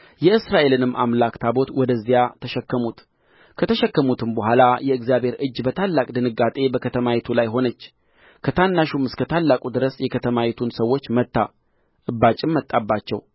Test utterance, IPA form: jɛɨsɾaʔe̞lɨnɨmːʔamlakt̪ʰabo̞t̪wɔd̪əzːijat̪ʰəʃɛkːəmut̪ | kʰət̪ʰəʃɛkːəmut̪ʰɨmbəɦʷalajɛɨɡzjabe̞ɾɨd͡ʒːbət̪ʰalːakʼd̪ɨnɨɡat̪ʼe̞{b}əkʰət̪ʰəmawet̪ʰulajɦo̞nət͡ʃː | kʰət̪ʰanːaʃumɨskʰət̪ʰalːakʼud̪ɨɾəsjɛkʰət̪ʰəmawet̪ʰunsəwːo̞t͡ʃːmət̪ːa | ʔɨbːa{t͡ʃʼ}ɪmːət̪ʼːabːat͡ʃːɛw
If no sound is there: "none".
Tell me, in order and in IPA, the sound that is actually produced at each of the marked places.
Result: b, t͡ʃʼ

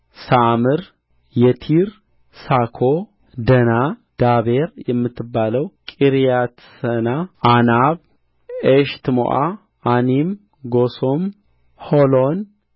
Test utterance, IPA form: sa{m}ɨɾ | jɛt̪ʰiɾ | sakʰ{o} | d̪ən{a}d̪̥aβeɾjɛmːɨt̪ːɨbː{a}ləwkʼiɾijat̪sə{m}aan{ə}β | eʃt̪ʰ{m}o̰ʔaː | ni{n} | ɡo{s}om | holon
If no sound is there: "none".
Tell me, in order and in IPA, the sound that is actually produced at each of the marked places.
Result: m, o, a, a, n, a, m, m, s

